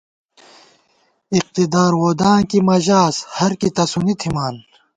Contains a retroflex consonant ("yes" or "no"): no